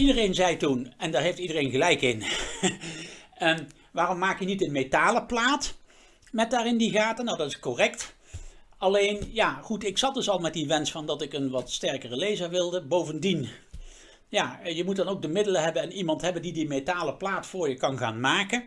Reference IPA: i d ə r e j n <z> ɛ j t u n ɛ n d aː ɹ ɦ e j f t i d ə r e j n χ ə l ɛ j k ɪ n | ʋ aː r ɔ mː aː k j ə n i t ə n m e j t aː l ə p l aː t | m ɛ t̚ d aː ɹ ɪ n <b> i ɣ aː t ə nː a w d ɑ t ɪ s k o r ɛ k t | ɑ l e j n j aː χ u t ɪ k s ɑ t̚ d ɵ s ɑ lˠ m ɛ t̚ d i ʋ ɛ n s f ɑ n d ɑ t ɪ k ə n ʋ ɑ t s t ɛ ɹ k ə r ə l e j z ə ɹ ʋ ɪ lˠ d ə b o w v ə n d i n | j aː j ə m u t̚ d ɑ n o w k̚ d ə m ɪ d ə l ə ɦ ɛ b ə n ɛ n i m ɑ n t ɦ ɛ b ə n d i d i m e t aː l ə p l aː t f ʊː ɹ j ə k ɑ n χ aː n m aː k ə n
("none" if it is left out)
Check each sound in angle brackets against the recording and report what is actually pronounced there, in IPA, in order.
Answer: z, d

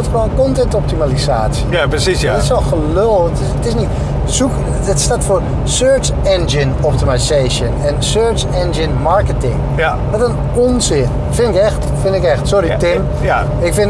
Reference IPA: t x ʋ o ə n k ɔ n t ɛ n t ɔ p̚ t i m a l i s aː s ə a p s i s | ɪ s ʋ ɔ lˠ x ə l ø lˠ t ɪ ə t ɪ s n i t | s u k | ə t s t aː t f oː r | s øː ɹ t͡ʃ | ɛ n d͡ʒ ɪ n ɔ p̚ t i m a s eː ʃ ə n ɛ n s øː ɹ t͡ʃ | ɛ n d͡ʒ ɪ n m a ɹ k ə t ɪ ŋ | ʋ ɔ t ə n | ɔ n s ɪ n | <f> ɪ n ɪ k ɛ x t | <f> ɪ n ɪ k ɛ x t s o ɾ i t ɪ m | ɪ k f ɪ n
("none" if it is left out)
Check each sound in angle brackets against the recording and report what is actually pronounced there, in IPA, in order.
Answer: f, f

